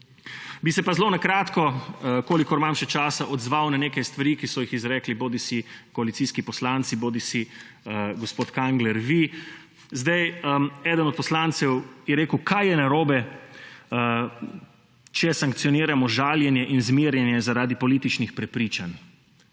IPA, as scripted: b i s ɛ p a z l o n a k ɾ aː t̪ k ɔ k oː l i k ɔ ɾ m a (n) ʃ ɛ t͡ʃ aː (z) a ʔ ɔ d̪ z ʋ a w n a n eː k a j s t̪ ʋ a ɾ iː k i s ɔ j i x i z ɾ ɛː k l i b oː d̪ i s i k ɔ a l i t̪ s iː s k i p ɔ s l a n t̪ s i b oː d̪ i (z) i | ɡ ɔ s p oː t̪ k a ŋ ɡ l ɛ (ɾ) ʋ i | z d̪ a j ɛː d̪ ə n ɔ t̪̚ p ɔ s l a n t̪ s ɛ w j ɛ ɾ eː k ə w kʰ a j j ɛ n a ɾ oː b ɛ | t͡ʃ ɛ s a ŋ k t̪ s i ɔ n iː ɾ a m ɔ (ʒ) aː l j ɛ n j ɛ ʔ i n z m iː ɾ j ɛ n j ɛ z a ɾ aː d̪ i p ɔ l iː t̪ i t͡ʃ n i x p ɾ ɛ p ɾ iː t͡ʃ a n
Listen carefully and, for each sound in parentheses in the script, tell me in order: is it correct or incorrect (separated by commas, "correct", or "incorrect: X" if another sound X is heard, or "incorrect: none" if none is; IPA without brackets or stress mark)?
incorrect: m, incorrect: s, incorrect: s, correct, correct